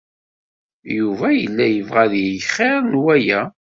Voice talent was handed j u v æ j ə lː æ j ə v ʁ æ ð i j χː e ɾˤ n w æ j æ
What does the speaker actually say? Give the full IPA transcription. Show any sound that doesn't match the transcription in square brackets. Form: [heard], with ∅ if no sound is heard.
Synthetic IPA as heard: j u v æ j ə lː æ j ə v ʁ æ ð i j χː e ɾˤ n w æ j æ